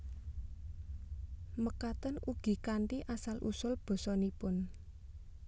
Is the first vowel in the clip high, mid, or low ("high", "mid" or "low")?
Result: mid